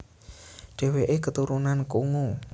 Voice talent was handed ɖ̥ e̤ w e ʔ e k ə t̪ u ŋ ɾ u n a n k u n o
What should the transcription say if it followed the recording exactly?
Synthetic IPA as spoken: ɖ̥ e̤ w e ʔ e k ə t̪ u ɾ u n a n k u ŋ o